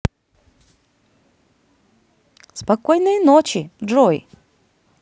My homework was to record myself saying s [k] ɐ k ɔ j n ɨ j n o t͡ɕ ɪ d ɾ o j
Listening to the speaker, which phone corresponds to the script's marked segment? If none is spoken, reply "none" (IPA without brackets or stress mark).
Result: p